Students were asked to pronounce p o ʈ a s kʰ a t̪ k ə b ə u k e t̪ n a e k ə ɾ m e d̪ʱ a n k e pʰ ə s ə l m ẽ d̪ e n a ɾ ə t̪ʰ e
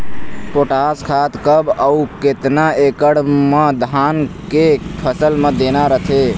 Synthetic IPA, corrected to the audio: p o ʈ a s kʰ a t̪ k ə b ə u k e t̪ n a e k ə ɽ m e d̪ʱ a n k e pʰ ə s ə l m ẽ d̪ e n a ɾ ə t̪ʰ e